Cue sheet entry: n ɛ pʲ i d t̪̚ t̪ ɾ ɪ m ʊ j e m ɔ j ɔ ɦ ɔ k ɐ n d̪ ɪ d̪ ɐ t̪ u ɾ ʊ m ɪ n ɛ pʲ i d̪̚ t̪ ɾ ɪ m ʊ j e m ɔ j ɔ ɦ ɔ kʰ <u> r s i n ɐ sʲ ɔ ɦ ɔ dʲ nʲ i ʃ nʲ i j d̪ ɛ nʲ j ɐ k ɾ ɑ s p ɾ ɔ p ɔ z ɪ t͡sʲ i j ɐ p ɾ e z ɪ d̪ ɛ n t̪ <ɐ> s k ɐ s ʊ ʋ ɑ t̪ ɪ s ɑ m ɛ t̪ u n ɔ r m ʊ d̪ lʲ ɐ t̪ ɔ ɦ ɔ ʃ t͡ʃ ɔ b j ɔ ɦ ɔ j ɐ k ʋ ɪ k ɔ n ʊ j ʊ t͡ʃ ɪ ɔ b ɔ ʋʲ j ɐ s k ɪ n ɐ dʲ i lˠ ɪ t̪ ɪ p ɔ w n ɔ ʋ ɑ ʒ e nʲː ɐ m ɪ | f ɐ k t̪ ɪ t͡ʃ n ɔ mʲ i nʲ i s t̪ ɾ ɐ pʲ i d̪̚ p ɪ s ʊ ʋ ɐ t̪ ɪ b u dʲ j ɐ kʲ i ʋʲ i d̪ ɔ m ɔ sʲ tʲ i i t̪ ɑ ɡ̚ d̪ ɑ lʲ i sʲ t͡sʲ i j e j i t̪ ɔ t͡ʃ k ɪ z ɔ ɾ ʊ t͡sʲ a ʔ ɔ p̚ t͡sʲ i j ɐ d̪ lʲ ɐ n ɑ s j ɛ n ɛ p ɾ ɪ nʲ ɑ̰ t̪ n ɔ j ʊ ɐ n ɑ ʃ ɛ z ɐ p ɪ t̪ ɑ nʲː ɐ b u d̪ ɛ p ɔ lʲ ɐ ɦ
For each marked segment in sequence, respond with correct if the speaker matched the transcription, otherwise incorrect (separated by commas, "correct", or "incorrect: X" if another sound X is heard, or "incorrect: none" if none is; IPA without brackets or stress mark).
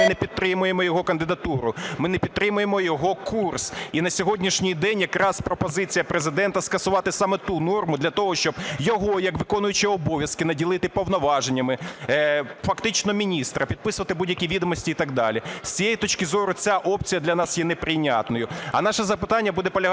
correct, correct